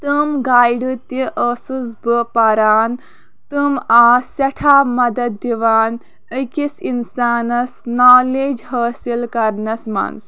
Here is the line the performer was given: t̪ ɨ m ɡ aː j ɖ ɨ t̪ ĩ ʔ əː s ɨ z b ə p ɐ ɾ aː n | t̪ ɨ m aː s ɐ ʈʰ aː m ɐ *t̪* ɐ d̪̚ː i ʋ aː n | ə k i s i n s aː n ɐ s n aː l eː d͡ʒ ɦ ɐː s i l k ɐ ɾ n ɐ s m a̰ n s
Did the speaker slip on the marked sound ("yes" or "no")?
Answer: yes